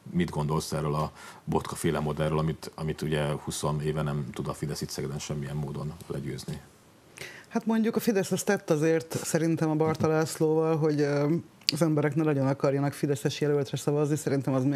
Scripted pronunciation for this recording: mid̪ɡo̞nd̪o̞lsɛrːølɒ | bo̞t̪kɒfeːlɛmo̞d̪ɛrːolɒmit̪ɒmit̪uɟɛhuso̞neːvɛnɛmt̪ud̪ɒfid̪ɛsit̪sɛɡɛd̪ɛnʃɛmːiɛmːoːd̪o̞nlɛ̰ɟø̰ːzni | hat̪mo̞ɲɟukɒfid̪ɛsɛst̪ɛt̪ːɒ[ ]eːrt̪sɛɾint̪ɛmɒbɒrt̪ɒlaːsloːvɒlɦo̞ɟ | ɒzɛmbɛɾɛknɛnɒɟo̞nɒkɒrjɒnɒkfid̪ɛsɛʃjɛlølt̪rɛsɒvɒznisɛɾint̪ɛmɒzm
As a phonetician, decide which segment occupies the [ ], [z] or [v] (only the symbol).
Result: z